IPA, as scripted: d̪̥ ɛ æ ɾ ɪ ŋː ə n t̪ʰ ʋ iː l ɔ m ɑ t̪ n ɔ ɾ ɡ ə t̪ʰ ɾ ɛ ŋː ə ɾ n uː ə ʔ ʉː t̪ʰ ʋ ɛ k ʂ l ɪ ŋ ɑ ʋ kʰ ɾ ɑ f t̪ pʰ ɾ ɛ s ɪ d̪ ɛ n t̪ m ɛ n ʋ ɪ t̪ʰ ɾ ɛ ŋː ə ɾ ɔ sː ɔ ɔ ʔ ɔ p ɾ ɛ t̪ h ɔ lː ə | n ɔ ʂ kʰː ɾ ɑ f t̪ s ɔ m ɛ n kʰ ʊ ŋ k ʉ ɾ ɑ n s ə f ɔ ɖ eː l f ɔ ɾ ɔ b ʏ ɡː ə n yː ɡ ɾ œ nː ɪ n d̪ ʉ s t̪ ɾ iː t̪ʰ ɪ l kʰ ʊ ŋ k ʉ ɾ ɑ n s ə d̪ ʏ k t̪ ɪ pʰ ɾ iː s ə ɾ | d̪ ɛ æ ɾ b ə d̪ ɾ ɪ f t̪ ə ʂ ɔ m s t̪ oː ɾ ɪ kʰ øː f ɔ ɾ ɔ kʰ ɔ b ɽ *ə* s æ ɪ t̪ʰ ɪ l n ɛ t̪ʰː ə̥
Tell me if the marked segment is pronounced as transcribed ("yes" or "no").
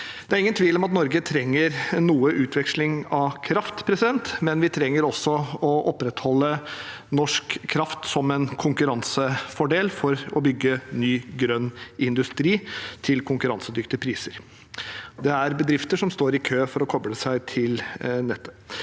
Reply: yes